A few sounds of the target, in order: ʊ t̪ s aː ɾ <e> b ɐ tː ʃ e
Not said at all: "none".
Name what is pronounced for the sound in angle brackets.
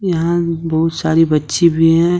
i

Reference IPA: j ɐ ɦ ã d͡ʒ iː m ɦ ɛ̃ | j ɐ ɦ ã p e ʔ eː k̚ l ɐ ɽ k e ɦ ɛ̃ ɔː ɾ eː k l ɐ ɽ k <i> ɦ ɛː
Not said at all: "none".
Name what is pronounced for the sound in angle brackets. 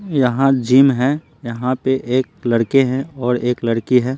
i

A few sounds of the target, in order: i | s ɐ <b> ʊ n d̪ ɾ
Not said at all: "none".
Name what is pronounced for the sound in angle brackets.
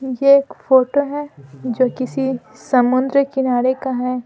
m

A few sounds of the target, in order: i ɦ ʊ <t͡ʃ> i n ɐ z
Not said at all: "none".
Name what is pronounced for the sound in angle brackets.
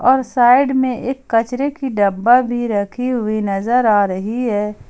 none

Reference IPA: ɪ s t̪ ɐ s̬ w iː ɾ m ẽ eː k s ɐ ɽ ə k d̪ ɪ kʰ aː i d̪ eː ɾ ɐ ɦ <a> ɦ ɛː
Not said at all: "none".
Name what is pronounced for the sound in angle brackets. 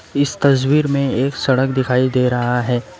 a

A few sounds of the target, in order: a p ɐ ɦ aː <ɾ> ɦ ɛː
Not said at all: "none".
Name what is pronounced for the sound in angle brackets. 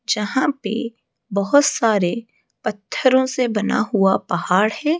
ɽ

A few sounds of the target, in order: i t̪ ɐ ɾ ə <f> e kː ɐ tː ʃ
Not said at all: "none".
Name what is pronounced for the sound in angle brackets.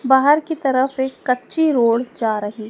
f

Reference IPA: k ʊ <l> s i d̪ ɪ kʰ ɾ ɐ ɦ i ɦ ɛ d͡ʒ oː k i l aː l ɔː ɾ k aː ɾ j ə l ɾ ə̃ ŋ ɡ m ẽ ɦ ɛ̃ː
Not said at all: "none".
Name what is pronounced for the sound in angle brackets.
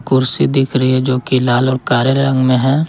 ɾ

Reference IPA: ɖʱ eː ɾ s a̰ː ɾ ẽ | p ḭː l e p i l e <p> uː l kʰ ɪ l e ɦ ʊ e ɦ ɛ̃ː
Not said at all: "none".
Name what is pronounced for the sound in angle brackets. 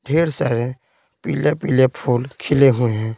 pʰ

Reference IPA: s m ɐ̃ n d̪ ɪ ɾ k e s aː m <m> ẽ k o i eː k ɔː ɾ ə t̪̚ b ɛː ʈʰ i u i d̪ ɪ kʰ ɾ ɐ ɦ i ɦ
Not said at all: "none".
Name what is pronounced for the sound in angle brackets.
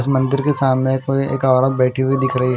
n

